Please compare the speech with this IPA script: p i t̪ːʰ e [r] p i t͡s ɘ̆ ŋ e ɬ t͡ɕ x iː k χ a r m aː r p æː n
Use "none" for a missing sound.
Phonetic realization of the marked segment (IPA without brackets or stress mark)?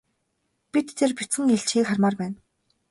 r